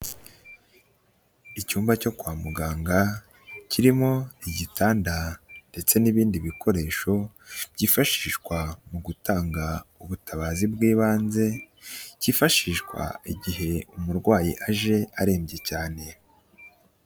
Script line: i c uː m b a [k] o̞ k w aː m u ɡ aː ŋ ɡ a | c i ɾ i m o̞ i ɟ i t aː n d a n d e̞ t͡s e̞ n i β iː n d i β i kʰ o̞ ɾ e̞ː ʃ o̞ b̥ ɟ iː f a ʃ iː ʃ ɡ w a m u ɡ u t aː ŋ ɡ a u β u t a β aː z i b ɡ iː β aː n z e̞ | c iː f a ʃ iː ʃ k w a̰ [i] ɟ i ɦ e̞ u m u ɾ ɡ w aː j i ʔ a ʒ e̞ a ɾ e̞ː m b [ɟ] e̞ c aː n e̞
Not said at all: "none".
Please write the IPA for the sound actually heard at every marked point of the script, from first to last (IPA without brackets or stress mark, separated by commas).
c, i, ɟ